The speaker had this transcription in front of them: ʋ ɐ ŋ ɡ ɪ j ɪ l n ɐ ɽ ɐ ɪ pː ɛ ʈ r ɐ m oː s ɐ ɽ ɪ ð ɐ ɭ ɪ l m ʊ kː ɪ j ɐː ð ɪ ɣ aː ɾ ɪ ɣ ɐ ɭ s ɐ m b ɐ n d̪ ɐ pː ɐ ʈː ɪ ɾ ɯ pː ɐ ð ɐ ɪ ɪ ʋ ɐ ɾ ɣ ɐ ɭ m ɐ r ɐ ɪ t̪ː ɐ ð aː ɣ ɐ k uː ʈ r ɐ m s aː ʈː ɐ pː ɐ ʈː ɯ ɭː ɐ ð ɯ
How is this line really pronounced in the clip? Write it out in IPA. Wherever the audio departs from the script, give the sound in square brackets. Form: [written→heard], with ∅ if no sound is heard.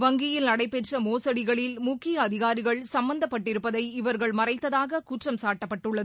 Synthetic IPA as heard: ʋ ɐ ŋ ɡ ɪ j ɪ l n ɐ ɽ ɐ ɪ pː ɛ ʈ r ɐ m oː s ɐ ɽ ɪ [ð→ɣ] ɐ ɭ ɪ l m ʊ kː ɪ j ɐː ð ɪ ɣ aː ɾ ɪ ɣ ɐ ɭ s ɐ m b ɐ n d̪ ɐ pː ɐ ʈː ɪ ɾ ɯ pː ɐ ð ɐ ɪ ɪ ʋ ɐ ɾ ɣ ɐ ɭ m ɐ r ɐ ɪ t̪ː ɐ ð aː ɣ ɐ k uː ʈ r ɐ m s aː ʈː ɐ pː ɐ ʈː ɯ ɭː ɐ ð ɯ

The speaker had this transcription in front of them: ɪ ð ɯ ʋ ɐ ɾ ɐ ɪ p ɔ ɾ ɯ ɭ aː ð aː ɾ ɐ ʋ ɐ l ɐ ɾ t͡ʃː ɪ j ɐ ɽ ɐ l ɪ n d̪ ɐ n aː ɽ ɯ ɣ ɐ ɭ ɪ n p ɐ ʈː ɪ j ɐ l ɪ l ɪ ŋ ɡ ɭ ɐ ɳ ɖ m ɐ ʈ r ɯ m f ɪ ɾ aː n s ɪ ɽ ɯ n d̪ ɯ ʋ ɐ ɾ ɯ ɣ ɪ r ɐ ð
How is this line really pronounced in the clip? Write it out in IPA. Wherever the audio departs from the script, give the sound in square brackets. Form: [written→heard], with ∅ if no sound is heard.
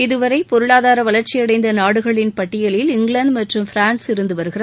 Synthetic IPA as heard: ɪ ð ɯ ʋ ɐ ɾ ɐ ɪ p ɔ ɾ ɯ ɭ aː ð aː ɾ ɐ ʋ ɐ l ɐ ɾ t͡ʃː ɪ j ɐ ɽ ɐ [l→∅] ɪ n d̪ ɐ n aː ɽ ɯ ɣ ɐ ɭ ɪ n p ɐ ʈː ɪ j ɐ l ɪ l ɪ ŋ ɡ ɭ ɐ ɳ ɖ m ɐ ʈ r ɯ m f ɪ ɾ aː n s ɪ [ɽ→ɾ] ɯ n d̪ ɯ ʋ ɐ ɾ ɯ ɣ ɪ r ɐ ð

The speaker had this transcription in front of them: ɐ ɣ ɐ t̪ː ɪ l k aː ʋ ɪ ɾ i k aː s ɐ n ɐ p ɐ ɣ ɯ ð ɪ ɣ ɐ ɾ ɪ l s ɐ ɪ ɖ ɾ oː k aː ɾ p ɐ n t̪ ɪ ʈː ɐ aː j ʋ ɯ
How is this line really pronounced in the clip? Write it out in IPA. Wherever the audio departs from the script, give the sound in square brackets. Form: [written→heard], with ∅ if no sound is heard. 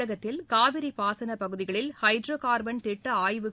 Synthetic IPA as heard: ɐ ɣ ɐ t̪ː ɪ l k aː ʋ ɪ ɾ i [k→p] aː s ɐ n ɐ p ɐ ɣ ɯ ð ɪ ɣ ɐ [ɾ→ɭ] ɪ l [s→h] ɐ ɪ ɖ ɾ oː k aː ɾ [p→b] ɐ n t̪ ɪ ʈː ɐ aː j ʋ ɯ

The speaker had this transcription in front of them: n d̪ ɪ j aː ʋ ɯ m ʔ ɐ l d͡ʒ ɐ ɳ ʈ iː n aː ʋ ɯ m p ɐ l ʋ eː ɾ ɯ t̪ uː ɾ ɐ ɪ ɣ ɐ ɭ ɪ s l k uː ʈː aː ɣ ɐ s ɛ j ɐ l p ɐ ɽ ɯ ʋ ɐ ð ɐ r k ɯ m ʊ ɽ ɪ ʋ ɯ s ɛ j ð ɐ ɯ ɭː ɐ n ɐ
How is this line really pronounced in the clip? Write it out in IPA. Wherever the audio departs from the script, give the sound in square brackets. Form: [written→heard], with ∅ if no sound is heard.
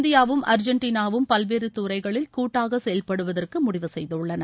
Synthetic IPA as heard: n d̪ ɪ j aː ʋ ɯ m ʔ ɐ [l→ɾ] d͡ʒ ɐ ɳ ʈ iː n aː ʋ ɯ m p ɐ l ʋ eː ɾ ɯ t̪ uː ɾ ɐ ɪ ɣ ɐ ɭ ɪ [s→∅] l k uː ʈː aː ɣ ɐ s ɛ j ɐ l p ɐ ɽ ɯ ʋ ɐ ð ɐ r k ɯ m ʊ ɽ ɪ ʋ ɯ s ɛ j ð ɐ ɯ ɭː ɐ n ɐ

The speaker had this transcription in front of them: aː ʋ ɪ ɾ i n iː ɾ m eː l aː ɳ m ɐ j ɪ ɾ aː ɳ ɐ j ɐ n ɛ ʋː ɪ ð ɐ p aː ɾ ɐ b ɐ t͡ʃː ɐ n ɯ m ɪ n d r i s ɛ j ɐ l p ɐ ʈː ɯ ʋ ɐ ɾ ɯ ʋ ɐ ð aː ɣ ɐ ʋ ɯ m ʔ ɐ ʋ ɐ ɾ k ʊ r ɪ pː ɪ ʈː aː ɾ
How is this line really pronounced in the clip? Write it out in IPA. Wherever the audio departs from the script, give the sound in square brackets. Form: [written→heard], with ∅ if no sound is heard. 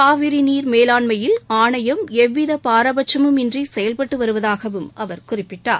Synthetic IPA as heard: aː ʋ ɪ ɾ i n iː ɾ m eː l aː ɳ m ɐ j ɪ [ɾ→l] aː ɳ ɐ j ɐ [n→m] ɛ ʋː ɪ ð ɐ p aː ɾ ɐ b ɐ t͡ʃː ɐ [n→m] ɯ m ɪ n d r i s ɛ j ɐ l p ɐ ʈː ɯ ʋ ɐ ɾ ɯ ʋ ɐ ð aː ɣ ɐ ʋ ɯ m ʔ ɐ ʋ ɐ ɾ k ʊ r ɪ pː ɪ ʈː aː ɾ

